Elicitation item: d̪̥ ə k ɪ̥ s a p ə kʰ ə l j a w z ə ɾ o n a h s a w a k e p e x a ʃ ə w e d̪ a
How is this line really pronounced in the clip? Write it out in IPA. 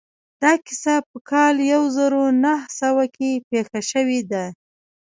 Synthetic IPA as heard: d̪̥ ɑ k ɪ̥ s a p ə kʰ ɑ l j a w z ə ɾ o n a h s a w a k e p e x a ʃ ə w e d̪ a